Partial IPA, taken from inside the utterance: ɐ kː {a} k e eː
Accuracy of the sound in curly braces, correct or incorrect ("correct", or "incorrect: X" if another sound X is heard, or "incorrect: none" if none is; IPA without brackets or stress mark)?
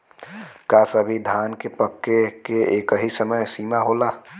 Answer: incorrect: e